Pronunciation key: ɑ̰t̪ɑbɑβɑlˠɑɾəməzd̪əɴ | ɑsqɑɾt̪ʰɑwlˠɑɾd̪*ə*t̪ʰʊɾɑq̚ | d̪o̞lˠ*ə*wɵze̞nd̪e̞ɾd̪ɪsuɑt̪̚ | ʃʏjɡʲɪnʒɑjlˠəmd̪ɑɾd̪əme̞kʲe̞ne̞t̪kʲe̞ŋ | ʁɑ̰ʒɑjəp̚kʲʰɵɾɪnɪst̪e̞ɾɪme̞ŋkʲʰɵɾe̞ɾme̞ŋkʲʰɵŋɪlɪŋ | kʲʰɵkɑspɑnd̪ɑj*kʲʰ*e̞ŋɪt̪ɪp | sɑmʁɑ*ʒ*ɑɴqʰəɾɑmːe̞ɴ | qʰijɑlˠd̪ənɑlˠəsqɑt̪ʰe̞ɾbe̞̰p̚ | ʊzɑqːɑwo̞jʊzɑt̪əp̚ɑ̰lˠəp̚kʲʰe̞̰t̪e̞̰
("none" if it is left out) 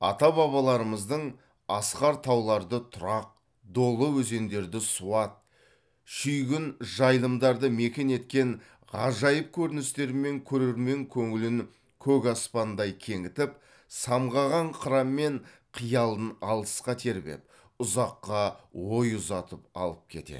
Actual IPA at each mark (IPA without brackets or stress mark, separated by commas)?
ə, ə, kʲʰ, ʁ